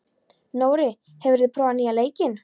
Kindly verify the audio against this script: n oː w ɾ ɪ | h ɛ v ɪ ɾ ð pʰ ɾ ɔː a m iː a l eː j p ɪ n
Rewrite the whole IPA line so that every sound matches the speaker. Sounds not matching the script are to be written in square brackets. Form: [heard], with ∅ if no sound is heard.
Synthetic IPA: n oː w ɾ ɪ | h ɛ v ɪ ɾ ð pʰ ɾ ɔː a [n] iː a l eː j [c] ɪ n